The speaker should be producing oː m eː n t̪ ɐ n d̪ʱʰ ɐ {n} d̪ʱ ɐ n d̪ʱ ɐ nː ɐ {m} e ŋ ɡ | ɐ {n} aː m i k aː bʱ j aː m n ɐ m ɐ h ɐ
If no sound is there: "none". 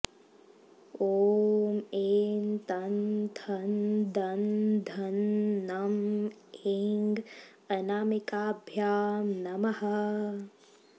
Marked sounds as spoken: n, m, n

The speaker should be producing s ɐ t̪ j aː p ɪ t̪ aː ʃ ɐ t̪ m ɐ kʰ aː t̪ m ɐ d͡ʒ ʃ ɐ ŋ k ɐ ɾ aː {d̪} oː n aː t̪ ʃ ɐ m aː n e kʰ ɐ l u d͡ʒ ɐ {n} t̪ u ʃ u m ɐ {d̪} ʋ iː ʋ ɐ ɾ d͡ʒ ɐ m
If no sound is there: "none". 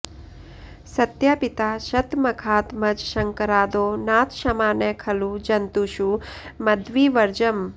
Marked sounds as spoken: d̪, n, d̪

